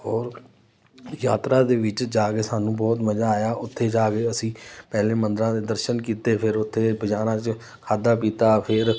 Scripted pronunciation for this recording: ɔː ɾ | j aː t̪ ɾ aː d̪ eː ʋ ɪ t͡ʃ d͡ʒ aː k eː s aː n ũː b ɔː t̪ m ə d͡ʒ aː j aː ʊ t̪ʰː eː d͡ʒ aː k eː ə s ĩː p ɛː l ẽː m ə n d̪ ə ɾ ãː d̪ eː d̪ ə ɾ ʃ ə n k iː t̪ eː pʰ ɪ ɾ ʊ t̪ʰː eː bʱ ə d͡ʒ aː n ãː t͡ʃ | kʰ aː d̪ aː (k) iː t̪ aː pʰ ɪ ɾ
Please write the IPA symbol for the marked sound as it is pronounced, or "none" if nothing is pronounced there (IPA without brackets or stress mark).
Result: p